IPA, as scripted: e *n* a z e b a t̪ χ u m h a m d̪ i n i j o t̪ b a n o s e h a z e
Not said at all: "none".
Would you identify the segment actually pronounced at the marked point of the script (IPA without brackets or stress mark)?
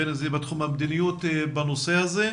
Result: n